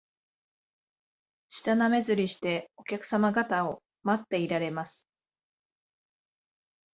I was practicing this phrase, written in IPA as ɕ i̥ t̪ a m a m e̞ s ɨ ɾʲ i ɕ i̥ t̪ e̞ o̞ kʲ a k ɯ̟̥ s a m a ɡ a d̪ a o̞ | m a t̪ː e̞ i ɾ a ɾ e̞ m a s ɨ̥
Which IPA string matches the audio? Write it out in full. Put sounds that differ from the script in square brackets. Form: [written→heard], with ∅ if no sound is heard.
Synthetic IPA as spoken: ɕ i̥ t̪ a [m→n] a m e̞ [s→z] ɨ ɾʲ i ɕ i̥ t̪ e̞ o̞ kʲ a k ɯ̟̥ s a m a ɡ a [d̪→t̪] a o̞ | m a t̪ː e̞ i ɾ a ɾ e̞ m a s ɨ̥